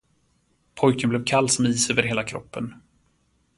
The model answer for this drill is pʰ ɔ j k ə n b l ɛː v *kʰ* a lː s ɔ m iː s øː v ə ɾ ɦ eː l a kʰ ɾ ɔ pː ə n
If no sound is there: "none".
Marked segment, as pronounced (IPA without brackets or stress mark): kʰ